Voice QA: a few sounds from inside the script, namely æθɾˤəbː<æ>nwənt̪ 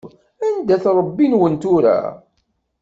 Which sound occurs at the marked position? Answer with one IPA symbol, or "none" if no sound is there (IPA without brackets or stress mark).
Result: i